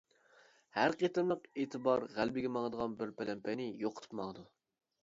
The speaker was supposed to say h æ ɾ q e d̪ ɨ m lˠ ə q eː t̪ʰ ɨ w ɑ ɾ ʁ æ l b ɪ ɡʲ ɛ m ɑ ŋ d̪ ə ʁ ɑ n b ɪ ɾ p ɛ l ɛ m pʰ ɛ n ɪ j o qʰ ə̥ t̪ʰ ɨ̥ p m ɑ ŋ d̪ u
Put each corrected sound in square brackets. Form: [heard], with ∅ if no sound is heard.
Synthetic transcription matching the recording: h æ ɾ q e [t̪] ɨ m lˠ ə q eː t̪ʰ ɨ [b] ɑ ɾ ʁ æ l b ɪ ɡʲ ɛ m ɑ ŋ d̪ ə ʁ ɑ n b ɪ ɾ p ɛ l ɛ m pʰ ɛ n ɪ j o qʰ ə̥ t̪ʰ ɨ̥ p m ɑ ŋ d̪ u